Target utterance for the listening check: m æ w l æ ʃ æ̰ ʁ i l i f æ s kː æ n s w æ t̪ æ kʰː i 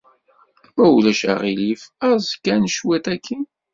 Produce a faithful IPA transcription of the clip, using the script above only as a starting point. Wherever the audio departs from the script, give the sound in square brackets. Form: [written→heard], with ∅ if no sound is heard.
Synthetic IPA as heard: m æ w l æ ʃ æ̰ ʁ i l i f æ [s→z] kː æ n [s→ʃ] w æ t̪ æ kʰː i